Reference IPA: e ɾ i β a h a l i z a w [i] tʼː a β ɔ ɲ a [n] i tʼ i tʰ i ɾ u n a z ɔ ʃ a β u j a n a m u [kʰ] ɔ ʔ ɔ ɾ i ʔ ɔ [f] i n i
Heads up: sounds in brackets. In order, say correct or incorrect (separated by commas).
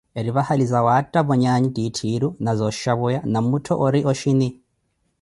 incorrect, incorrect, incorrect, incorrect